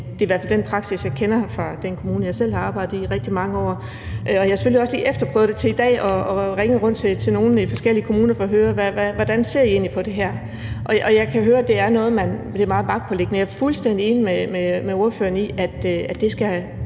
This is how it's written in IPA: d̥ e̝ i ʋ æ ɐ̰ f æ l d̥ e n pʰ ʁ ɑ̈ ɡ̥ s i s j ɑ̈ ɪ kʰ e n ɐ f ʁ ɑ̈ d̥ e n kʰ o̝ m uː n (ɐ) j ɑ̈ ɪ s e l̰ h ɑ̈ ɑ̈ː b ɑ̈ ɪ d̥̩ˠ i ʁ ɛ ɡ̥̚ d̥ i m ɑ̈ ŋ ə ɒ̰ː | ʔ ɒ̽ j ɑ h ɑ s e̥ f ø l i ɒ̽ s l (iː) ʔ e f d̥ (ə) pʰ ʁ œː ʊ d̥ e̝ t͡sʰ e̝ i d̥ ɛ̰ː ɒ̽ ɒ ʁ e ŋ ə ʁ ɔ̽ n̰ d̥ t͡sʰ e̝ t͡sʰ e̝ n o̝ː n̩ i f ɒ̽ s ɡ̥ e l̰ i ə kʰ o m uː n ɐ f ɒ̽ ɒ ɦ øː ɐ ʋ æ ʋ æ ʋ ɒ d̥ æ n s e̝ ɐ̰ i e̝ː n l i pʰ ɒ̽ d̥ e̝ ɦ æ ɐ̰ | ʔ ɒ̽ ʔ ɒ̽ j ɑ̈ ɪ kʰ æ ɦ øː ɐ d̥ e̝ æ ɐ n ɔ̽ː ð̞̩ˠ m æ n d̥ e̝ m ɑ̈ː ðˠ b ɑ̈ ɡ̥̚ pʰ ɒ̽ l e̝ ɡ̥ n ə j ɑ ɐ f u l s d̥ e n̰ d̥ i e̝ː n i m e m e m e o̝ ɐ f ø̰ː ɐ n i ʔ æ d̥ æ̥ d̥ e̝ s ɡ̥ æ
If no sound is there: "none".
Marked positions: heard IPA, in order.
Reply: ə, iː, ɐ

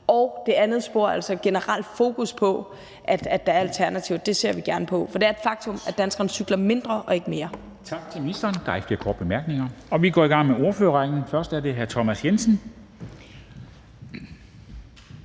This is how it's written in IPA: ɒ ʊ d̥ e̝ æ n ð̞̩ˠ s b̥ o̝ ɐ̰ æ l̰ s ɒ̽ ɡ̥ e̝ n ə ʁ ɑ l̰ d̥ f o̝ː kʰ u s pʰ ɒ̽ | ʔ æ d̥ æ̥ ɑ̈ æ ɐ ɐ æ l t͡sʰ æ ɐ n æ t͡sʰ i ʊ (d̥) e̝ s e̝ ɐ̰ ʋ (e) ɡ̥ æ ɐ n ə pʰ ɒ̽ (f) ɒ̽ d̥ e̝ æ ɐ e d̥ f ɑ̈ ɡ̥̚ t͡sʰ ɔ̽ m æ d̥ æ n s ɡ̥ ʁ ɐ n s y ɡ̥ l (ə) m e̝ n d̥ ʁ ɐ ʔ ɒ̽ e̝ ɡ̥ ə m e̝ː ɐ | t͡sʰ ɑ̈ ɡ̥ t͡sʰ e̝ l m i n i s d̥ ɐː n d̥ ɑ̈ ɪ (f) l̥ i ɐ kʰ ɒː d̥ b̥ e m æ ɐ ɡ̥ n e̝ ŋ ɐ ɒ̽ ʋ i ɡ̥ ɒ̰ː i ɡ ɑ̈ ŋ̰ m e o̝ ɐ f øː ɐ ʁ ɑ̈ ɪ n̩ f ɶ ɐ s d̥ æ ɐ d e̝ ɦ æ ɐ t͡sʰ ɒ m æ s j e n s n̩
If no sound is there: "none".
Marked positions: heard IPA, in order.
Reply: d̥, i, f, ɐ, f

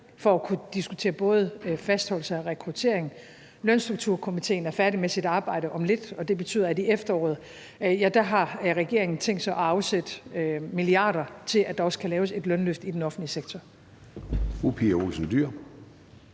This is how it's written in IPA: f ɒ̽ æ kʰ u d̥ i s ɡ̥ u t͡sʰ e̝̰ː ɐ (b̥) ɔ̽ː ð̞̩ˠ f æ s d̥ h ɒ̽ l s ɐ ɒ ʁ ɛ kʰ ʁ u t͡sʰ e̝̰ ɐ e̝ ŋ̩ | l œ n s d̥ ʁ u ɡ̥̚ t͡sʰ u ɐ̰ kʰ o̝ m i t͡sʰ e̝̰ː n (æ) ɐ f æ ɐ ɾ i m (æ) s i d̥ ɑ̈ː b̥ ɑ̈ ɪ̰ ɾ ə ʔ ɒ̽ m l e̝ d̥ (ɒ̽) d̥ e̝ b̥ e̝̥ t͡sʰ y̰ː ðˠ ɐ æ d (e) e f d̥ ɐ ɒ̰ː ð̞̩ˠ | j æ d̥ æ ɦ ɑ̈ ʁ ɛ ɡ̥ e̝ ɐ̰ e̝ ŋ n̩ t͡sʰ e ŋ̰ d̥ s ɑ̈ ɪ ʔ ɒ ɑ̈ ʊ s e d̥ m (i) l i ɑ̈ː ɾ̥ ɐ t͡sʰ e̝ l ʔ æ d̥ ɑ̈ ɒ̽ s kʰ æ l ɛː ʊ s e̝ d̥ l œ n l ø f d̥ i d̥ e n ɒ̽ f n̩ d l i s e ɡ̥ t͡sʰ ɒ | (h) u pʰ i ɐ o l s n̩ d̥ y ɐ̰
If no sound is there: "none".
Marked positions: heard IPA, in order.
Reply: b̥, æ, e, ɒ̽, i, i, f

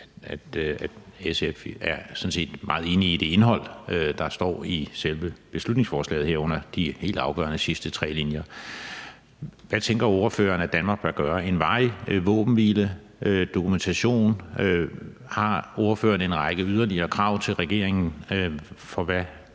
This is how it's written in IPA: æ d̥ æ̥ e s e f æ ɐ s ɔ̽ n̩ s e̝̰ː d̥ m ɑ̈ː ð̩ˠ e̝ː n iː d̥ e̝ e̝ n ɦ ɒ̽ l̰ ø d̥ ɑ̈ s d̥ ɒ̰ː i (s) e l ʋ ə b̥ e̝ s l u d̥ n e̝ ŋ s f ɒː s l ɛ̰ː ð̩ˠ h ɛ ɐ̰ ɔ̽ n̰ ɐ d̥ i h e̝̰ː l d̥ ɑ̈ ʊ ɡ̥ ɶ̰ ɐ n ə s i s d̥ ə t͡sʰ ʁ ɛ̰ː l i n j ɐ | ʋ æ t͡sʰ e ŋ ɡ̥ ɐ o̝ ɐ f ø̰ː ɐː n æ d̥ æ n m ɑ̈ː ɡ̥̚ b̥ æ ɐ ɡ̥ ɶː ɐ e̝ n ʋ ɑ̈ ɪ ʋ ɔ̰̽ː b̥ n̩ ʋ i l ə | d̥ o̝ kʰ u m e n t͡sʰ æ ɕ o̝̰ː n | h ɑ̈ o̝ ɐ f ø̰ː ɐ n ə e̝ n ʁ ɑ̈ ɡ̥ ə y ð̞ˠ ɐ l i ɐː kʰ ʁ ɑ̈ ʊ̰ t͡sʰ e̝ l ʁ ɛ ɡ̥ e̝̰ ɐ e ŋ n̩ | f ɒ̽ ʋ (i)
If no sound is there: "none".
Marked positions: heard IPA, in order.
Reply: s, æ

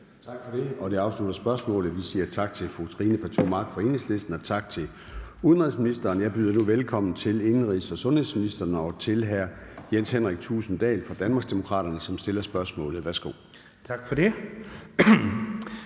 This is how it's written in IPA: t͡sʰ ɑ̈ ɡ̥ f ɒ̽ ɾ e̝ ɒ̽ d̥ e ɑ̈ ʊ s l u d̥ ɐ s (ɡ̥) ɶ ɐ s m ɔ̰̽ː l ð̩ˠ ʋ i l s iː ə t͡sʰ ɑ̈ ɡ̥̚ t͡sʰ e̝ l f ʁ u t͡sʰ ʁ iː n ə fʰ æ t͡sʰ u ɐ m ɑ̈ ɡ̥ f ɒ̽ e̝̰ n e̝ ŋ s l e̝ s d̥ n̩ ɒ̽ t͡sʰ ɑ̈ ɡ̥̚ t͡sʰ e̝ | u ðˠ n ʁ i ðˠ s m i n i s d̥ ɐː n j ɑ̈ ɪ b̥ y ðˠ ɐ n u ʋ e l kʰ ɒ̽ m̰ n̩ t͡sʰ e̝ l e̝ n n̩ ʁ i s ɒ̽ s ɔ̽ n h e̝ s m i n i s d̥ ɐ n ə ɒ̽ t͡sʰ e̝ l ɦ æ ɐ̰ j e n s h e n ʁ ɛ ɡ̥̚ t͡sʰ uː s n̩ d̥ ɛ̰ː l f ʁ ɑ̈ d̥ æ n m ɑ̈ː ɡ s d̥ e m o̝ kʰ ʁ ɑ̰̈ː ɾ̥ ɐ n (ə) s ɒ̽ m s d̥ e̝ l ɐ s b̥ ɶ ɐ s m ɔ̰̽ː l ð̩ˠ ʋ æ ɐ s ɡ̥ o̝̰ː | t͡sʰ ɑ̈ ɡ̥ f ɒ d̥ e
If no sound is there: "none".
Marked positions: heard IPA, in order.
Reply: b̥, ə

